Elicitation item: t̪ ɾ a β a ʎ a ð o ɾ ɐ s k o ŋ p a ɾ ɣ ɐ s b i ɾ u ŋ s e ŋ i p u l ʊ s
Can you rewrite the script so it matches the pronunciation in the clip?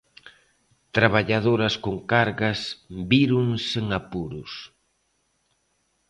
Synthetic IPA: t̪ ɾ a β a ʎ a ð o ɾ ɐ s k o ŋ k a ɾ ɣ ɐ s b i ɾ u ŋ s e ŋ a p u ɾ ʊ s